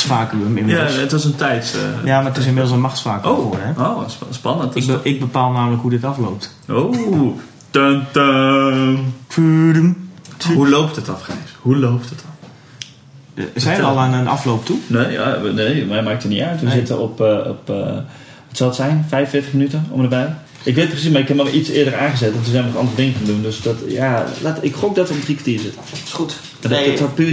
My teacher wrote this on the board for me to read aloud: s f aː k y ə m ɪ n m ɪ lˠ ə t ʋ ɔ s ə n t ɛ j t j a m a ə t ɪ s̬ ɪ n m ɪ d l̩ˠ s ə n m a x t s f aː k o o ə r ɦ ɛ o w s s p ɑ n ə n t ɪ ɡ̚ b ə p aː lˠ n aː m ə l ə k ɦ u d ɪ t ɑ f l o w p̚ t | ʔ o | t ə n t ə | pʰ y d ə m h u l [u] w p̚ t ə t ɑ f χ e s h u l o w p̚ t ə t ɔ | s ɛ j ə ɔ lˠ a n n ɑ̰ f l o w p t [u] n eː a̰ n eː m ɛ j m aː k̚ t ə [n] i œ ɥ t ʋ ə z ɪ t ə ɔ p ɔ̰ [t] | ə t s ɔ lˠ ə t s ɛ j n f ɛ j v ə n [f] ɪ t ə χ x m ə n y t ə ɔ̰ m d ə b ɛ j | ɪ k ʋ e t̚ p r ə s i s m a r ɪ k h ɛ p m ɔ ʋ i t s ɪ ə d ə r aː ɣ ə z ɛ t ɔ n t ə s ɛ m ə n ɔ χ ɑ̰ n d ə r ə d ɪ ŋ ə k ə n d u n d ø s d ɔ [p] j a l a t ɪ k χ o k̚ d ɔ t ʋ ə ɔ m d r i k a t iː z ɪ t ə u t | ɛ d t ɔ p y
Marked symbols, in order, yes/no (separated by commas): no, yes, yes, no, yes, no